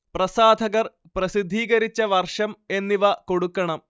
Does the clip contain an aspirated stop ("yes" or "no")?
no